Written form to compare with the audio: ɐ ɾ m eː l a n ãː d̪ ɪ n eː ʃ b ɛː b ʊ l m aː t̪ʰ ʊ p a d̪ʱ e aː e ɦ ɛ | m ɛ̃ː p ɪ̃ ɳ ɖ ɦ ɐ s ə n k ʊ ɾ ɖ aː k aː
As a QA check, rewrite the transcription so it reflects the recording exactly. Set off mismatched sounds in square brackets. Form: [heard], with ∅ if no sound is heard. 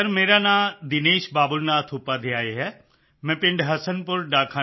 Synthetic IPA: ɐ ɾ m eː [ɾ] a n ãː d̪ ɪ n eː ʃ b [aː] b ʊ l [n] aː t̪ʰ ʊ p a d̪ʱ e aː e ɦ ɛ | m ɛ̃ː p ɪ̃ ɳ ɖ ɦ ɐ s ə n [p] ʊ ɾ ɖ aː [kʰ] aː